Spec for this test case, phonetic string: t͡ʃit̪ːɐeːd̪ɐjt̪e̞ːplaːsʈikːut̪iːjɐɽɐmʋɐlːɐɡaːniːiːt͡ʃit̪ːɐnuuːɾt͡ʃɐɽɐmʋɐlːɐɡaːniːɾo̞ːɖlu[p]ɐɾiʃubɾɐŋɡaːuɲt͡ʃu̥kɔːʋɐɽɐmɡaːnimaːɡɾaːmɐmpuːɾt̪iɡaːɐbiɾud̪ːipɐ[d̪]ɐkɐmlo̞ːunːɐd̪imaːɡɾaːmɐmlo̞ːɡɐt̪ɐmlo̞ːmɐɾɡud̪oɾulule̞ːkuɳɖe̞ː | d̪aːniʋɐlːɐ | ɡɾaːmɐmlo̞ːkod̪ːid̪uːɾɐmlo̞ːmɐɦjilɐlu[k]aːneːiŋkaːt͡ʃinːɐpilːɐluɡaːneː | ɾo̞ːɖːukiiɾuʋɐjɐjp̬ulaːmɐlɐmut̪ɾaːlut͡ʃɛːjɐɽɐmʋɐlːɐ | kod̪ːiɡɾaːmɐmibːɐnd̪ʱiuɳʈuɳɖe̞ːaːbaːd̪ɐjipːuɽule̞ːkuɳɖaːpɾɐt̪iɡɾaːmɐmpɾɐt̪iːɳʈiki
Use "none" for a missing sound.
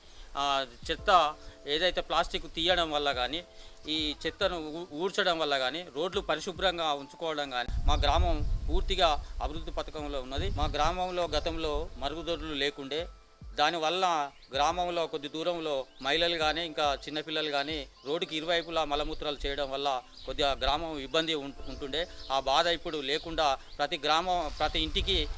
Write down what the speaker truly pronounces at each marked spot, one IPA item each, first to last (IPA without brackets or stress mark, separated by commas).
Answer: p, t̪, ɡ